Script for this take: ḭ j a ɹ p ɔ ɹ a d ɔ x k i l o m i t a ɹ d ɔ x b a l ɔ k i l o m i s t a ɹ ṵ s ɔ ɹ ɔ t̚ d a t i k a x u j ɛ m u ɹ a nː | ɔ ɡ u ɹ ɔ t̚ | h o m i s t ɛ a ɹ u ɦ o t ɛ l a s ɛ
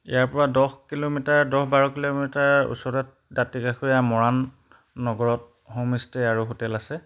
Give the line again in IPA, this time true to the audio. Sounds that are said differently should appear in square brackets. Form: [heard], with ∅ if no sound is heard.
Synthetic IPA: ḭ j a ɹ p ɔ ɹ a d ɔ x k i l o m i t a ɹ d ɔ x b a [ɹ] ɔ k i l o m i [∅] t a ɹ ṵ s ɔ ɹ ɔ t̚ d a t i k a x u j [a] m [ɔ] ɹ a nː | ɔ ɡ [ɔ] ɹ ɔ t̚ | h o m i s t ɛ a ɹ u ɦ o t ɛ l a s ɛ